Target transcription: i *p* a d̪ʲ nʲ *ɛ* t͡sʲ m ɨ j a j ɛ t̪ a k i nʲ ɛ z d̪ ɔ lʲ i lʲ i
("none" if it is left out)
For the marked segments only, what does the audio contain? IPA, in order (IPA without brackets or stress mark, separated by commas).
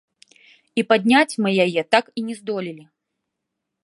p, a